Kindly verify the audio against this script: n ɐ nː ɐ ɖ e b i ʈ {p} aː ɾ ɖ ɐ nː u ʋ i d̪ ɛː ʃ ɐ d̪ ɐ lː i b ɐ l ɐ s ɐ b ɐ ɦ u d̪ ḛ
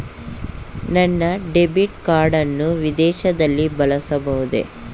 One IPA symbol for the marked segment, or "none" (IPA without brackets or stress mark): k